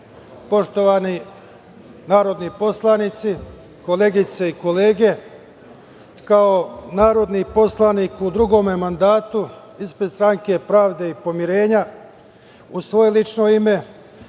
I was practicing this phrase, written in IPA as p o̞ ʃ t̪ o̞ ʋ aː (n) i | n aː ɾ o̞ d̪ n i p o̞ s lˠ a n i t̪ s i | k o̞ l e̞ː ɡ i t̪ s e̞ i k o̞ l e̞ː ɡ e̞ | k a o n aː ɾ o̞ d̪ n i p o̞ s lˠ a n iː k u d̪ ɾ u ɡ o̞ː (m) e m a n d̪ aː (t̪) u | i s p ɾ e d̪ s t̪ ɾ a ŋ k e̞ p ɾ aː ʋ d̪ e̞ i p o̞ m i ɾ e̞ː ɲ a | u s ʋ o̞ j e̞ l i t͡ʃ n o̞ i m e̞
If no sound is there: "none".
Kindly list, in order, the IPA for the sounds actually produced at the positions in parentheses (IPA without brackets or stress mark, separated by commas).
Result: n, m, t̪